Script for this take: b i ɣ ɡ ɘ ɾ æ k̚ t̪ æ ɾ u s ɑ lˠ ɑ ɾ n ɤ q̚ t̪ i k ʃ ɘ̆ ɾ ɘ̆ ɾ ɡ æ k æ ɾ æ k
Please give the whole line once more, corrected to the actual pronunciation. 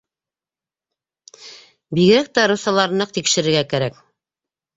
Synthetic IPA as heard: b i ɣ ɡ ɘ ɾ æ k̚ t̪ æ ɾ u s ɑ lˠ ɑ ɾ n ɤ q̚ t̪ i k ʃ ɘ̆ ɾ ɘ̆ ɾ ɡ æ k æ ɾ æ k